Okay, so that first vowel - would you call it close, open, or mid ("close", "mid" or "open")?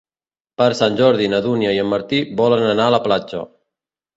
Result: mid